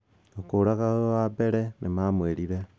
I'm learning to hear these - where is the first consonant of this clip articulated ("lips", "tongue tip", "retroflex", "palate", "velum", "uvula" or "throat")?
velum